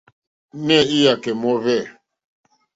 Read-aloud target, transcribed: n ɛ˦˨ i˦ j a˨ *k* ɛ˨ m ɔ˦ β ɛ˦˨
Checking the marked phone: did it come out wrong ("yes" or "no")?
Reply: no